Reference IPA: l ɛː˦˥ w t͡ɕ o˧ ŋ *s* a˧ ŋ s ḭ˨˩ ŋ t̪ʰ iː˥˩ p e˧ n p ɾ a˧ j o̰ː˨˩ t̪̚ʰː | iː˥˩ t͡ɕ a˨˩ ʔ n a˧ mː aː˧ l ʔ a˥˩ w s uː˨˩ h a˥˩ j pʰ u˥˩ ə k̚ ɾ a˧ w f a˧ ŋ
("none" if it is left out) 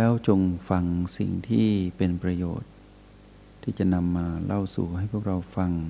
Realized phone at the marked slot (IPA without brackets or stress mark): f